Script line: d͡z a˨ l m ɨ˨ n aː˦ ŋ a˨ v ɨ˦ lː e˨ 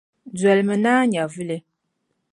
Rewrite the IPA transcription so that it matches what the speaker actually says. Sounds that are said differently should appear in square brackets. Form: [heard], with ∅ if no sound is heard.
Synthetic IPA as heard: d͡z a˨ l m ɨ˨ n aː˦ [ɲ] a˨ v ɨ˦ [l] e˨